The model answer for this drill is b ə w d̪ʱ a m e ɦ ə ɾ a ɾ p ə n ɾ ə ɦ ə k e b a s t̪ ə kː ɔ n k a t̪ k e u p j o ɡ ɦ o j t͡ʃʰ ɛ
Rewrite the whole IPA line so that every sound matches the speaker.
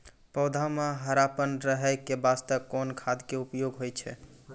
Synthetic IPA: p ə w d̪ʱ a m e ɦ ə ɾ a p ə n ɾ ə ɦ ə k e b a s t̪ ə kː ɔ n kʰ a d̪ k e u p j o ɡ ɦ o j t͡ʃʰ ɛ